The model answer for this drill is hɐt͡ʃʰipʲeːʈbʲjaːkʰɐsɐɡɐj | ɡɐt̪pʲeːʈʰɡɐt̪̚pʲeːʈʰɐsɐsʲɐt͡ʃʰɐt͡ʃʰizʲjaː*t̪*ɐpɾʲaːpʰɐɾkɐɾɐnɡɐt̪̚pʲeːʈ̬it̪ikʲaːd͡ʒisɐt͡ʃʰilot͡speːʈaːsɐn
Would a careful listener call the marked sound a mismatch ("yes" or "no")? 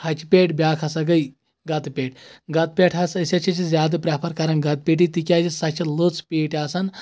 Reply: yes